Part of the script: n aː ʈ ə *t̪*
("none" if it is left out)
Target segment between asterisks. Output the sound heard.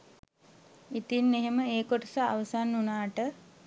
none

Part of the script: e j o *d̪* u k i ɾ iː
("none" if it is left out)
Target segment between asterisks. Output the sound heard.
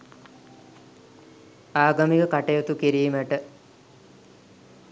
t̪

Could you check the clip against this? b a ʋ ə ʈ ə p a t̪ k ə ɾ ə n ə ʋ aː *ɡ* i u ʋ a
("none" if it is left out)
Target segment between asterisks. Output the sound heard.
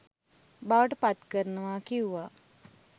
k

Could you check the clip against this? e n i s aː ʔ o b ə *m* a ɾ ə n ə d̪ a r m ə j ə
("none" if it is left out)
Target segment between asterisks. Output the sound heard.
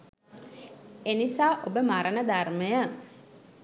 m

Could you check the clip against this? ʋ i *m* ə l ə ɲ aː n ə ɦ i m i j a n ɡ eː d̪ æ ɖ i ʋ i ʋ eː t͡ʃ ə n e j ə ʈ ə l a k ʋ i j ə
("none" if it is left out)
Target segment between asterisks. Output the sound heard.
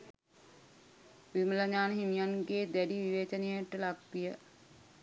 m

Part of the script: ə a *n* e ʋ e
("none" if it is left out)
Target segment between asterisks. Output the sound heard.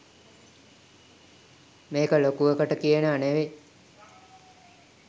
n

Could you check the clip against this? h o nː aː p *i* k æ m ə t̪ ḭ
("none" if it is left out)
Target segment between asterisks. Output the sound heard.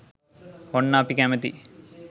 i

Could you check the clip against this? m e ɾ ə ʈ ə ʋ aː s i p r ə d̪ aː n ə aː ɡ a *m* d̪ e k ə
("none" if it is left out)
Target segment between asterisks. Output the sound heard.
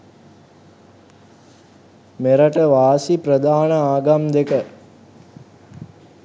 m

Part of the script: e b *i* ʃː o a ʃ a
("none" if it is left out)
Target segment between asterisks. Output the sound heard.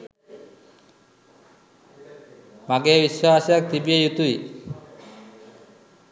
i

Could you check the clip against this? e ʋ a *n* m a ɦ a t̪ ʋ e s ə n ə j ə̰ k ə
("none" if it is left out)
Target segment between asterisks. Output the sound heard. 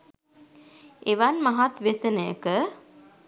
n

